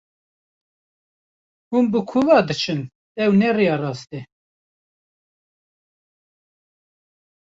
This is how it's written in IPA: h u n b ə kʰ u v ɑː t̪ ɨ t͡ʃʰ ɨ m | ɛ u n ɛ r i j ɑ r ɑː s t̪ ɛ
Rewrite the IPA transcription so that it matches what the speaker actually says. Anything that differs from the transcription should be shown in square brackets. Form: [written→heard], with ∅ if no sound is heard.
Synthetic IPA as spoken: h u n b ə kʰ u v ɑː [t̪→d̪] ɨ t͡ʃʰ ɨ [m→n] | ɛ [u→w] n ɛ r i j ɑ r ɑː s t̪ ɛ